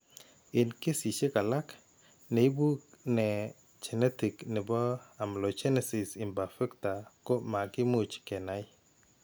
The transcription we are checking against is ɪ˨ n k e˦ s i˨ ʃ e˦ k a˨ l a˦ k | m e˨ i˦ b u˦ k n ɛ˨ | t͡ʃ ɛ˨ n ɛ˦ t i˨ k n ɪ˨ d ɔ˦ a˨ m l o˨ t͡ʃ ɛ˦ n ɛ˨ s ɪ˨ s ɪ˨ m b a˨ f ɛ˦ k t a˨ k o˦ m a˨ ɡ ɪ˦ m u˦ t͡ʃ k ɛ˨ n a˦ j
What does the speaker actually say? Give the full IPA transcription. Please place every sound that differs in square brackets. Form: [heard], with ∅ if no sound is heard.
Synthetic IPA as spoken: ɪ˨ n k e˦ s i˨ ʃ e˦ k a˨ l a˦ k | [n] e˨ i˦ b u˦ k n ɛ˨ | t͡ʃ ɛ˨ n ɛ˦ t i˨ k n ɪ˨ [b] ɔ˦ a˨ m l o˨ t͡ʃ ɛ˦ n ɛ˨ s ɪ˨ s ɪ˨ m b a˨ f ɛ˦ k t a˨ k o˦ m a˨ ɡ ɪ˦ m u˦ t͡ʃ k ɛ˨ n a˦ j